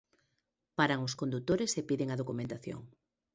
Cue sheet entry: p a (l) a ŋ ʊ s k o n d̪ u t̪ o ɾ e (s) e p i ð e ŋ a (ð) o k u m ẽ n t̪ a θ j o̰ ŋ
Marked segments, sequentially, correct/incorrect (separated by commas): incorrect, correct, correct